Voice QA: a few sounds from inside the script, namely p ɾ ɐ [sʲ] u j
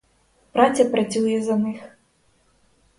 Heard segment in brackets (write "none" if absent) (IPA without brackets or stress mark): t͡sʲ